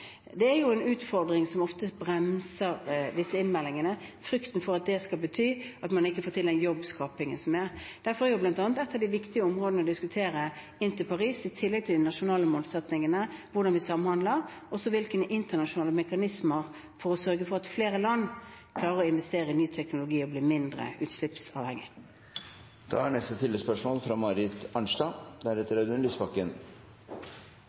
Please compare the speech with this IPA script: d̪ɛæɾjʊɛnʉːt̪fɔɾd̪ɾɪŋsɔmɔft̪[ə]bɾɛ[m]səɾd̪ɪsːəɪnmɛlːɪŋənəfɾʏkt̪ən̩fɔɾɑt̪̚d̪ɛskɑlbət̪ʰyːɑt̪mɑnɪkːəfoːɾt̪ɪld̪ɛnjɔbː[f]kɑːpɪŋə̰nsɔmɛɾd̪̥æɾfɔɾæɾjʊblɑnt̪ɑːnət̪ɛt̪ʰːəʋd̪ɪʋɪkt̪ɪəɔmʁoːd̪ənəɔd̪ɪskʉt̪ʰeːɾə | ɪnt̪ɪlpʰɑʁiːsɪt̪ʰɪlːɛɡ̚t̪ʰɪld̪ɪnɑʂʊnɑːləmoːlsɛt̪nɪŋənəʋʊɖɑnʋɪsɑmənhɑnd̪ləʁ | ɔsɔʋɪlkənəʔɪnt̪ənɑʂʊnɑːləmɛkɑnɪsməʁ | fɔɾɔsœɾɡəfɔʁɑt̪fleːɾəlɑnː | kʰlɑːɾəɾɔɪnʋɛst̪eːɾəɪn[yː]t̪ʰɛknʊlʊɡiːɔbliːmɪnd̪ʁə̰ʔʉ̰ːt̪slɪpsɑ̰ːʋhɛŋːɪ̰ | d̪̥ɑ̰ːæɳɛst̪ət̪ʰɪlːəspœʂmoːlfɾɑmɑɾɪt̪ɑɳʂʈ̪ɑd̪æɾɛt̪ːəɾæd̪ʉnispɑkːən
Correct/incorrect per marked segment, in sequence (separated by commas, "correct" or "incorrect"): correct, correct, incorrect, correct